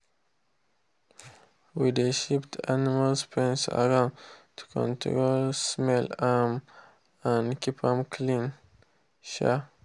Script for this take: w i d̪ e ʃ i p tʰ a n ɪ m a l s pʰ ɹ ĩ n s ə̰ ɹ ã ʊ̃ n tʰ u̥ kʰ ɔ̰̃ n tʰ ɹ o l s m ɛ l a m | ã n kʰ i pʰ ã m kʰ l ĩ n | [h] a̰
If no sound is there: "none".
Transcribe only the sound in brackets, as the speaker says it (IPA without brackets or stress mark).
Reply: ʃ